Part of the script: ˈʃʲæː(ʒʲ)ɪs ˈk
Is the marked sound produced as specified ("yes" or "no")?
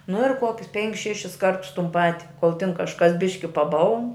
no